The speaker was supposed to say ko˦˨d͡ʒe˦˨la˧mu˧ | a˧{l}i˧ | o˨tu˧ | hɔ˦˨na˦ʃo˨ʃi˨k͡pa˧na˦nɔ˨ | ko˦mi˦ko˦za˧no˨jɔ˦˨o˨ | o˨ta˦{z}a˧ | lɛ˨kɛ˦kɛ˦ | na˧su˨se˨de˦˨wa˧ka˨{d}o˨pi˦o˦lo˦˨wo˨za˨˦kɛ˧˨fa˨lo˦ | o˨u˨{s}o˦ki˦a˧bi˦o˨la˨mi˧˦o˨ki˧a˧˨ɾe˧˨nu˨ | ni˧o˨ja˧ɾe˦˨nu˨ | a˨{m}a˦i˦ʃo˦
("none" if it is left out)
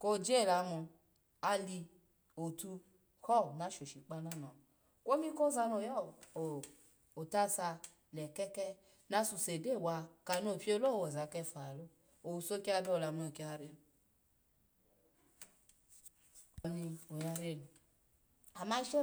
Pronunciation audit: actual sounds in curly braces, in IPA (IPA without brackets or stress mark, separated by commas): l, s, n, s, m